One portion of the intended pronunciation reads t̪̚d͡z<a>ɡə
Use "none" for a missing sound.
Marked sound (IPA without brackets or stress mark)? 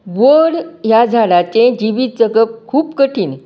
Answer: ə